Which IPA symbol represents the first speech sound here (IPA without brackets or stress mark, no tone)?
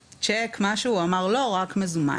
t͡ʃ